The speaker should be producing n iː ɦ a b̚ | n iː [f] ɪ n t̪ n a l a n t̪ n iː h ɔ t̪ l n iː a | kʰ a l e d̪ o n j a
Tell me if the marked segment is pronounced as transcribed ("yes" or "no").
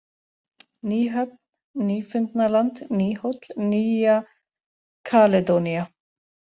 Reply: yes